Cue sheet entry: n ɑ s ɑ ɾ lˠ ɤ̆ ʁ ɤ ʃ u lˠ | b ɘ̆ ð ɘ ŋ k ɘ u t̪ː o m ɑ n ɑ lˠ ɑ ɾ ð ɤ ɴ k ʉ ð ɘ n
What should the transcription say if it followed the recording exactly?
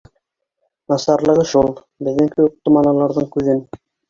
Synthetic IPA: n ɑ s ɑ ɾ lˠ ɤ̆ ʁ ɤ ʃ u lˠ | b ɘ̆ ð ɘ ŋ k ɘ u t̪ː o m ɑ n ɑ lˠ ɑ ɾ ð ɤ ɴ k ʉ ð ɘ n